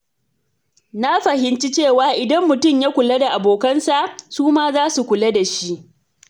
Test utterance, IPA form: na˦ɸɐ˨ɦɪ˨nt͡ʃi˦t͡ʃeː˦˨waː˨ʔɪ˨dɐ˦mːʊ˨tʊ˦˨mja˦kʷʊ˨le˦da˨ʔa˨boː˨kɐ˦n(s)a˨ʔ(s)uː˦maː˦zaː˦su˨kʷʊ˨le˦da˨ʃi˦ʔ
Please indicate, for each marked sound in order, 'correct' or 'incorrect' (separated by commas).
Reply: correct, correct